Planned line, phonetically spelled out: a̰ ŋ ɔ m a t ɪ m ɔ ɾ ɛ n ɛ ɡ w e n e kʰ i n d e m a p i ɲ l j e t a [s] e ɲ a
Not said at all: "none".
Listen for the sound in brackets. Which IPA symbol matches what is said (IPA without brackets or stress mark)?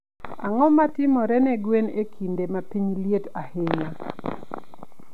h